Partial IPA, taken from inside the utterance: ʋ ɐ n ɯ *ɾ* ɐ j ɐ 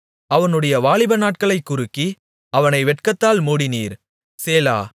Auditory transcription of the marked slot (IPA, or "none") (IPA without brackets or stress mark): ɽ